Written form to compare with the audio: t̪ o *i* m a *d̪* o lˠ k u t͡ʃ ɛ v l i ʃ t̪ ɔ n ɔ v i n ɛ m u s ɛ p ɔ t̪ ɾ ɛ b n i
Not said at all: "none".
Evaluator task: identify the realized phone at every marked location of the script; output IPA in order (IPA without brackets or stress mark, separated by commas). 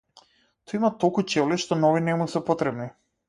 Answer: i, t̪